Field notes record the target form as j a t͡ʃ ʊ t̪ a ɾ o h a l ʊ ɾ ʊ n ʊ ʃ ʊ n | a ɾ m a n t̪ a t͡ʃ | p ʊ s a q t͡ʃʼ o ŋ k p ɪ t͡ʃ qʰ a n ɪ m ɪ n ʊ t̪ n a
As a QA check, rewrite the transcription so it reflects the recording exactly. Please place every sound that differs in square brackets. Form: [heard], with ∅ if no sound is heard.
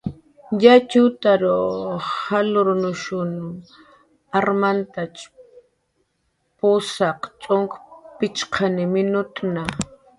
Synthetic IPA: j a t͡ʃ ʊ t̪ a ɾ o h a l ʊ ɾ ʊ n ʊ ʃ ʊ n | a ɾ m a n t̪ a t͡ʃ | p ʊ s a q t͡ʃʼ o ŋ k p ɪ t͡ʃ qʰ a n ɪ m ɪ n ʊ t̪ n a